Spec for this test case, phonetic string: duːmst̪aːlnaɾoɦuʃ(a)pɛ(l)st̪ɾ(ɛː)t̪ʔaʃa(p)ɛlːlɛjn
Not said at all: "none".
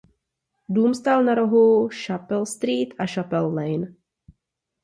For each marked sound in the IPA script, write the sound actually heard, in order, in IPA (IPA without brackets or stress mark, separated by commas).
a, l, iː, p